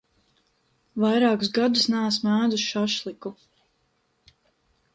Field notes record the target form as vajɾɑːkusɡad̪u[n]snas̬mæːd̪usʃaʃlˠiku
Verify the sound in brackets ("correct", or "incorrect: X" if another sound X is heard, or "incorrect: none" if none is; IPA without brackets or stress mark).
incorrect: none